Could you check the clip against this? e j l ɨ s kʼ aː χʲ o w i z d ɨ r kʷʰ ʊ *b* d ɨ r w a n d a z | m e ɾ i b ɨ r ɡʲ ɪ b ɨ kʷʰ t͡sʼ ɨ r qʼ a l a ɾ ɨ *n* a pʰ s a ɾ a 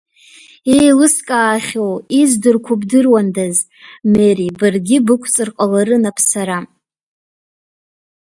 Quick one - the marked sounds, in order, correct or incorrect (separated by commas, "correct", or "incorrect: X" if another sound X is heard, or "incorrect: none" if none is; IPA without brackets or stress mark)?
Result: correct, correct